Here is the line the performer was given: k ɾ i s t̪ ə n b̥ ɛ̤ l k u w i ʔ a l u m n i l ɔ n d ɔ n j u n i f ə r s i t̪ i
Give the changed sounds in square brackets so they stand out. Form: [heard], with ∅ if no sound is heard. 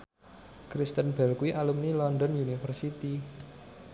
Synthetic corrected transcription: k ɾ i s t̪ ə n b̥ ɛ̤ l k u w i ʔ a l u m n i l ɔ n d ɔ n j u n i f ə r s i t̪ i